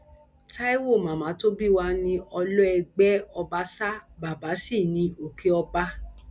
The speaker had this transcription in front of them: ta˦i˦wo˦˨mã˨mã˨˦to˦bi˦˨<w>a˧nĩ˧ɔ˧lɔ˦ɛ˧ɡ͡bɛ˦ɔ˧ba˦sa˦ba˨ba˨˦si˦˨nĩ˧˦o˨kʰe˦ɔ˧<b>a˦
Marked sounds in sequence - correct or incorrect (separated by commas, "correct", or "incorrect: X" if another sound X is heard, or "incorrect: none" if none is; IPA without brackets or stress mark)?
correct, correct